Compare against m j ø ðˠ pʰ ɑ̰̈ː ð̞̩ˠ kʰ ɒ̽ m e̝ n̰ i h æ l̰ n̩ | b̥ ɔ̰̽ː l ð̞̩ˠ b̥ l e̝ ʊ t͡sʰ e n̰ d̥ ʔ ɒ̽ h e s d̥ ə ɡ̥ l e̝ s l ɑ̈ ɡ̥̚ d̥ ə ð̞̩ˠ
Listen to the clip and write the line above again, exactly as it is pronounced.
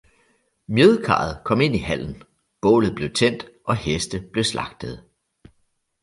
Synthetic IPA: m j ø ðˠ kʰ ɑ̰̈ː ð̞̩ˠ kʰ ɒ̽ m e̝ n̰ i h æ l̰ n̩ | b̥ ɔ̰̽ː l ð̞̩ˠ b̥ l e̝ ʊ t͡sʰ e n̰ d̥ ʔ ɒ̽ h e s d̥ ə b̥ l e̝ s l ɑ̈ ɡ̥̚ d̥ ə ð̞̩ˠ